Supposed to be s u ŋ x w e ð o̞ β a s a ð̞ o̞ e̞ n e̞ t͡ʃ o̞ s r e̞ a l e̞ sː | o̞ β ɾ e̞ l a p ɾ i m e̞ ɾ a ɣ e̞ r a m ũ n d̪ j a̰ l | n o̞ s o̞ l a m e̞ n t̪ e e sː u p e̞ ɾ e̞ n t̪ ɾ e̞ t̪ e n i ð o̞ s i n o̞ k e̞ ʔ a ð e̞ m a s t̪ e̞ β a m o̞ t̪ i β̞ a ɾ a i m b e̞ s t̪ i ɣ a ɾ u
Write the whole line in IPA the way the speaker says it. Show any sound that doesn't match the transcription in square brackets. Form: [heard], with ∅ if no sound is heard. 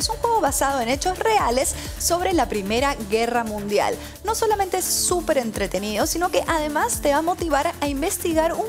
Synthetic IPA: s u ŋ x w e [ɣ] o̞ β a s a ð̞ o̞ e̞ n e̞ t͡ʃ o̞ s r e̞ a l e̞ sː | o̞ β ɾ e̞ l a p ɾ i m e̞ ɾ a ɣ e̞ r a m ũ n d̪ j a̰ l | n o̞ s o̞ l a m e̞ n t̪ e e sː u p e̞ ɾ e̞ n t̪ ɾ e̞ t̪ e n i ð o̞ s i n o̞ k e̞ ʔ a ð e̞ m a s t̪ e̞ β a m o̞ t̪ i β̞ a ɾ a i m b e̞ s t̪ i ɣ a ɾ u